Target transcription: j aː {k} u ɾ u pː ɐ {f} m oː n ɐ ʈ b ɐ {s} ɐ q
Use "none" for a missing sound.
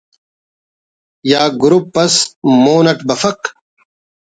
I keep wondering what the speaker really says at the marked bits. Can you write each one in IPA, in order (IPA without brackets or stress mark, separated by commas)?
ɡ, s, f